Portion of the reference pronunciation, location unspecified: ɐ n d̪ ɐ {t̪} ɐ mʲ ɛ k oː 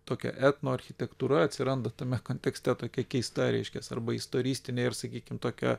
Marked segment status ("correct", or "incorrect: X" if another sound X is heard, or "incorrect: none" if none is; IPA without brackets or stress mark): correct